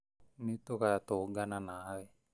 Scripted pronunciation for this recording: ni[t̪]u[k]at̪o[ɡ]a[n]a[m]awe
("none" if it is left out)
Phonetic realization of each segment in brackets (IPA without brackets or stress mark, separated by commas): t̪, k, ɡ, n, n